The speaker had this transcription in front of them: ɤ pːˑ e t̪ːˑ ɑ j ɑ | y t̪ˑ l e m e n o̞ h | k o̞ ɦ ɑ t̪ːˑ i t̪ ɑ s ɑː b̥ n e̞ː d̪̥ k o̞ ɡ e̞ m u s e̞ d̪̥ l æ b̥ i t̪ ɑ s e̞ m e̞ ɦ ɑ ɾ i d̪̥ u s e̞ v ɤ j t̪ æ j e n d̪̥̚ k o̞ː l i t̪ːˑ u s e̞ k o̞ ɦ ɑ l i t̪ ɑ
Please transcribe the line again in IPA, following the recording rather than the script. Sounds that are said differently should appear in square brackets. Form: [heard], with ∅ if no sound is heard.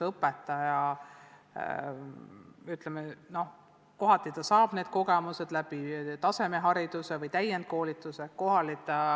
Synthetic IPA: ɤ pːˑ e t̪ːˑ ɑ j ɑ | y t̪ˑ l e m e n o̞ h | k o̞ ɦ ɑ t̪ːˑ i t̪ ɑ s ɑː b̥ n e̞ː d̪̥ k o̞ ɡ e̞ m u s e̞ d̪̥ l æ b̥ i t̪ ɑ s e̞ m e̞ ɦ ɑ ɾ i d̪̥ u s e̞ v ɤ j t̪ æ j e n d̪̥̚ k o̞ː l i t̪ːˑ u s e̞ k o̞ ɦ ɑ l i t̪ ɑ